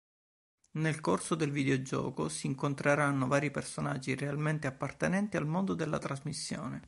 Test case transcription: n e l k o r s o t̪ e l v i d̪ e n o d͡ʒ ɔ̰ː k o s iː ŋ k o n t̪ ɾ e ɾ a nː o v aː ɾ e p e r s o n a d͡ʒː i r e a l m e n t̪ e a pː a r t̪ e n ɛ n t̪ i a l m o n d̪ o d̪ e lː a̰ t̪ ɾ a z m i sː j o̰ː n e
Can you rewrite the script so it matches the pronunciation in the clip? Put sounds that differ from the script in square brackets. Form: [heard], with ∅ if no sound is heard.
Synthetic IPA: n e l k o r s o [d̪] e l v i d̪ e [∅] o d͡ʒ ɔ̰ː k o s iː ŋ k o n t̪ ɾ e ɾ a nː o v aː ɾ [i] p e r s o n a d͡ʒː i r e a l m e n t̪ e a pː a r t̪ e n ɛ n t̪ i a l m o n d̪ o d̪ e lː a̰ t̪ ɾ a z m i sː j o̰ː n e